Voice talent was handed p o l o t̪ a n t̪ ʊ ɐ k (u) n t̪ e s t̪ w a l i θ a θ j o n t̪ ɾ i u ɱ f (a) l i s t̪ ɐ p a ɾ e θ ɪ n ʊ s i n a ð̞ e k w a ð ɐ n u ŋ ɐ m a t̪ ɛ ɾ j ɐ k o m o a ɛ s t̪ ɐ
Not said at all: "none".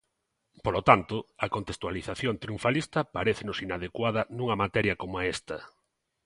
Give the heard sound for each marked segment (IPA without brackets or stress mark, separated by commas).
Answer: o, a